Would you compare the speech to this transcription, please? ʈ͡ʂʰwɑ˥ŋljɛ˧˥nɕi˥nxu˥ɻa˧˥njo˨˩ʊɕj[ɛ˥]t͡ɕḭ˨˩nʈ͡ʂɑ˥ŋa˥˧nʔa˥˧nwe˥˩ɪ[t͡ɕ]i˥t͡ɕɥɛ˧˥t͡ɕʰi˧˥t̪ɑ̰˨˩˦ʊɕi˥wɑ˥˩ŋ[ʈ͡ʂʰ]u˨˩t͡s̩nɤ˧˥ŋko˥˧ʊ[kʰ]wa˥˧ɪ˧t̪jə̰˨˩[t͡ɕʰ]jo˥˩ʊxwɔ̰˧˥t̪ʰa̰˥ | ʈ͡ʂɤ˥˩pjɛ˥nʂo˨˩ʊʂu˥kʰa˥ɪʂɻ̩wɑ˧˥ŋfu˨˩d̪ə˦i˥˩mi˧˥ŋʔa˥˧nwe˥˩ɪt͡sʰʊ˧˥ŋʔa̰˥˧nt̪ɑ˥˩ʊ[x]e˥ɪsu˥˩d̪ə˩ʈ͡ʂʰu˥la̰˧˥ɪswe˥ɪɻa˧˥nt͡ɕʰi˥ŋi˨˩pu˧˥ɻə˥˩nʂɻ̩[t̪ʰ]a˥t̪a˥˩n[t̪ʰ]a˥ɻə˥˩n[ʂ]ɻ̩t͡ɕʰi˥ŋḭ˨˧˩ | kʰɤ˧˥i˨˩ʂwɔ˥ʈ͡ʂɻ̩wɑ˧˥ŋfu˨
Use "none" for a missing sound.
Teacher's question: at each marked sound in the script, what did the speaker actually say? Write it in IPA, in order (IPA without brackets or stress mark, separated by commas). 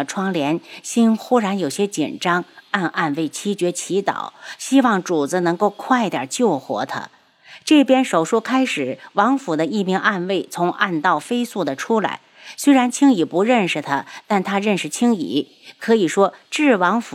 ɛ˥, t͡ɕʰ, ʈ͡ʂ, kʰ, t͡ɕ, f, t̪ʰ, t̪ʰ, ʂ